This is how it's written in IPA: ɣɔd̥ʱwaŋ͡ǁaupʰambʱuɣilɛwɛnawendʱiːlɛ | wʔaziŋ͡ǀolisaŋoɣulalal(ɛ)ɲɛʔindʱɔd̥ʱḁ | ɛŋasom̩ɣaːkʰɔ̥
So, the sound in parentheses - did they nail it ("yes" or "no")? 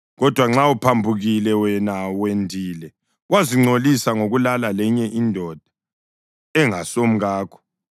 yes